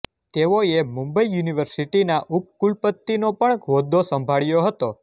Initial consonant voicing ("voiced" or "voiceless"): voiceless